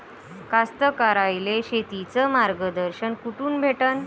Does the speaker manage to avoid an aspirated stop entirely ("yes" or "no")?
yes